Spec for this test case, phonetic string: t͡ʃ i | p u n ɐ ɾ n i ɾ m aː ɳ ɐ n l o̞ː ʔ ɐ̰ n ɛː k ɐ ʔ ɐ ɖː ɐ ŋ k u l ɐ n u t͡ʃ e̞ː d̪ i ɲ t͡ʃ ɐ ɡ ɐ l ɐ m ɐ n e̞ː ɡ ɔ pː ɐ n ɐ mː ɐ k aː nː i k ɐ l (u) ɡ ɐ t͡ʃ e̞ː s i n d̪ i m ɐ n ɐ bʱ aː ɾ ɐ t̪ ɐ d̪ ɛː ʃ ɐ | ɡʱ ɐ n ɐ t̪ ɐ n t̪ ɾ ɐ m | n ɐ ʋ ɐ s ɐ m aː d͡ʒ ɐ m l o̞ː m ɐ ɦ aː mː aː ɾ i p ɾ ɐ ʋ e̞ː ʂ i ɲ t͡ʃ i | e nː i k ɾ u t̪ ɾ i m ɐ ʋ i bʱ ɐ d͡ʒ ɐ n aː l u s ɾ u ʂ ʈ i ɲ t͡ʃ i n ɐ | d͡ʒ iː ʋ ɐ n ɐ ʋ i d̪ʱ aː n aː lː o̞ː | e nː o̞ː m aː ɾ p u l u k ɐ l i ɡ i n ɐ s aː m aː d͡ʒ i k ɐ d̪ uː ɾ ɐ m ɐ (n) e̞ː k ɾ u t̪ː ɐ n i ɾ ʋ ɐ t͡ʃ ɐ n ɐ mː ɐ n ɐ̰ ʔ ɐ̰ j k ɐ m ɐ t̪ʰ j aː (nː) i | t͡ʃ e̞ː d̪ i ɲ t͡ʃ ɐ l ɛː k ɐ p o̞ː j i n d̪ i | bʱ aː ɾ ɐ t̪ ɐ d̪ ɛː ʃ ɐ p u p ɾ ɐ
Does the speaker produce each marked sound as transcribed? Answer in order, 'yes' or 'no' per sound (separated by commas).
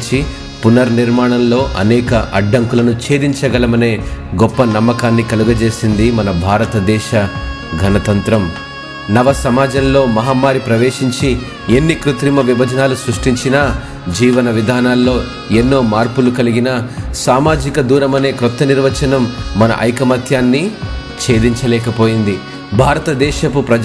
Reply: yes, yes, yes